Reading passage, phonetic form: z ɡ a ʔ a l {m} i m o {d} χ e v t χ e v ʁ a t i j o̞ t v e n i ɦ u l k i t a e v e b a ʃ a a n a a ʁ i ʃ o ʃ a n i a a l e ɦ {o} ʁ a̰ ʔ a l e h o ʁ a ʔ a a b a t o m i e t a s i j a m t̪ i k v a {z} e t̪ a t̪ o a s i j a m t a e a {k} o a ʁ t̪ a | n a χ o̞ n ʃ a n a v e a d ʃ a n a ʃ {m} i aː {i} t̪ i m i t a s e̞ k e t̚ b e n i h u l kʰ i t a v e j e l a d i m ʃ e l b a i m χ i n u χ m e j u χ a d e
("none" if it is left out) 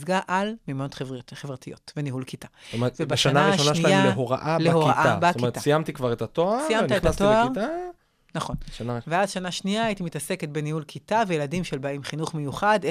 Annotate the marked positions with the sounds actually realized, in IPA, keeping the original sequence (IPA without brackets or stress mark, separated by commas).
m, t, o, ʁ, t, n, i